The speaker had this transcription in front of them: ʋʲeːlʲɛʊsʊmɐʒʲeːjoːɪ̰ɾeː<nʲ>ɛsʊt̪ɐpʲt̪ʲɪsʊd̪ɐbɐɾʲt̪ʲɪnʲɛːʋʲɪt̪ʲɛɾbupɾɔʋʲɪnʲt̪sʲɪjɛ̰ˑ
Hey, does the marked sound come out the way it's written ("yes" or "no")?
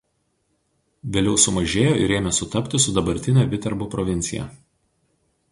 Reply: no